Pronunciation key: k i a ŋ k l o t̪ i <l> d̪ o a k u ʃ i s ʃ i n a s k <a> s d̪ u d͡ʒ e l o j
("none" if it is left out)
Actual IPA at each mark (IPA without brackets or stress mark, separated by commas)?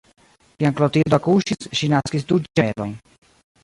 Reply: l, i